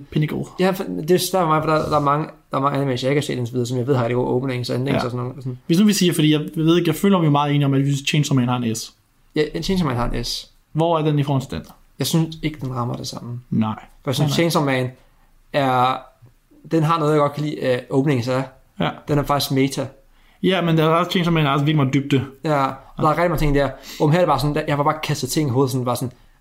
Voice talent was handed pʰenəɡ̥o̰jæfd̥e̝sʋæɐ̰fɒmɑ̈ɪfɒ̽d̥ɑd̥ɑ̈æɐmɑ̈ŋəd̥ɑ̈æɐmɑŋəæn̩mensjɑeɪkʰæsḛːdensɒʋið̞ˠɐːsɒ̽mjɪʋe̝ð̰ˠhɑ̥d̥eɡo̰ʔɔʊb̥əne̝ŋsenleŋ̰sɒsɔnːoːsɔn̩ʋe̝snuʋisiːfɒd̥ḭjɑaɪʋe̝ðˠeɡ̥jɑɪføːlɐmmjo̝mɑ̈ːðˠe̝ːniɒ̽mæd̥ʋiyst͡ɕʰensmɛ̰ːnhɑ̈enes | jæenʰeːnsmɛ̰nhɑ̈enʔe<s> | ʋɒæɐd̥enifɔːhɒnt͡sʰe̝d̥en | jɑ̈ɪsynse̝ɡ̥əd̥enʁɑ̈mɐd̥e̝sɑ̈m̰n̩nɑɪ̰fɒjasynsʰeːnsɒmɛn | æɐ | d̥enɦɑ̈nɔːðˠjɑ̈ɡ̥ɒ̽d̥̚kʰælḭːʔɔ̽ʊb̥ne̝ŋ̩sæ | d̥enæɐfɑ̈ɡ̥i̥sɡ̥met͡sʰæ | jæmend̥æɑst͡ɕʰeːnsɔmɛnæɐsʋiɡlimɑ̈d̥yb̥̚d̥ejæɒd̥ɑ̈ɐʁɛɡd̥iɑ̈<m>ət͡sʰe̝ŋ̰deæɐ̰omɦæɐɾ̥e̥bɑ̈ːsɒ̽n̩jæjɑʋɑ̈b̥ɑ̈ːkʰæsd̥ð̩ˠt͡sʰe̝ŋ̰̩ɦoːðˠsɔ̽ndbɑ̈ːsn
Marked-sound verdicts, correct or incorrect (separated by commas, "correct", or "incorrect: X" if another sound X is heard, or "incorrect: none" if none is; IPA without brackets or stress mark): correct, incorrect: ŋ